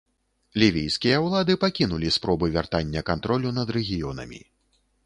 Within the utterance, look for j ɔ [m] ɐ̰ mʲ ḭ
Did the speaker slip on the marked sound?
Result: yes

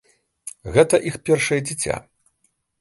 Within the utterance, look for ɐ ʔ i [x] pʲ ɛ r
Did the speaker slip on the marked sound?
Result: no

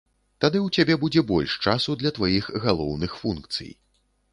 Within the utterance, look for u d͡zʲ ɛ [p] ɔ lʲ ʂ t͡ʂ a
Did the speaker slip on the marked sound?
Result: yes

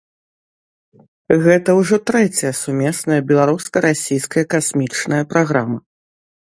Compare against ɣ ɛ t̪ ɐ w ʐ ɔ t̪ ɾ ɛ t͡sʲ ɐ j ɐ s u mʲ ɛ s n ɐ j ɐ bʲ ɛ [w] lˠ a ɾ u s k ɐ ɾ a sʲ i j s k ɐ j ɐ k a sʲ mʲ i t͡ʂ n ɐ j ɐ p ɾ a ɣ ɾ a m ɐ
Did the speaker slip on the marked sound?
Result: yes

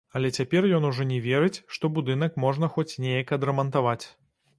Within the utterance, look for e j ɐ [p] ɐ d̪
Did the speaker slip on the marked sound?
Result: yes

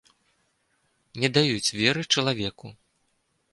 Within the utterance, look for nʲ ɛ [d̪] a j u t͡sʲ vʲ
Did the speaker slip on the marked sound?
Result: no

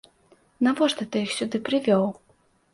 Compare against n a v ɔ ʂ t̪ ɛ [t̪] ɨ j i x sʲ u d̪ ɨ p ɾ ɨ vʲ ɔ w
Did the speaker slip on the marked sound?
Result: no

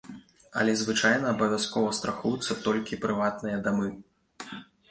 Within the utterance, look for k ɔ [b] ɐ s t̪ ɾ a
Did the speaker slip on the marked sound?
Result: yes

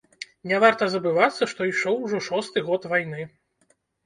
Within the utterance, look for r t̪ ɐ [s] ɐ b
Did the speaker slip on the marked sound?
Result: yes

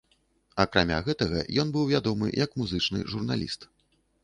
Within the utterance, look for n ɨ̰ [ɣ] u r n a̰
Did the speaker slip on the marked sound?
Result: yes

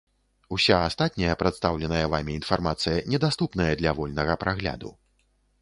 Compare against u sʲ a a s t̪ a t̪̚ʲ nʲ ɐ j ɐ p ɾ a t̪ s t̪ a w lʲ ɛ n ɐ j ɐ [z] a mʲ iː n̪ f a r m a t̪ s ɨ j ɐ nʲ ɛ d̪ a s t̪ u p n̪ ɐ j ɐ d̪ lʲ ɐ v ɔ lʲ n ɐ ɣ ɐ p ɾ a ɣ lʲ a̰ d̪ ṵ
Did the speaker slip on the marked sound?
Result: yes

